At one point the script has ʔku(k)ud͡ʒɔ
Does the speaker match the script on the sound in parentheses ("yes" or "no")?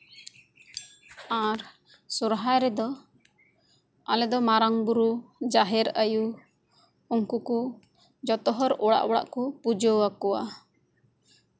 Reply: no